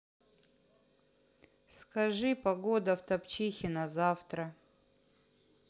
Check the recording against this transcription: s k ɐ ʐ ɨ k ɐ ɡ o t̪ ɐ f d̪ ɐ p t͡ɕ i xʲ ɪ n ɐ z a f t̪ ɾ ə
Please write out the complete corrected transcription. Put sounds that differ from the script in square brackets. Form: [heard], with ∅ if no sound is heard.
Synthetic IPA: s k ɐ ʐ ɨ [p] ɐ ɡ o [d̪] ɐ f [t̪] ɐ p t͡ɕ i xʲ ɪ n ɐ z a f t̪ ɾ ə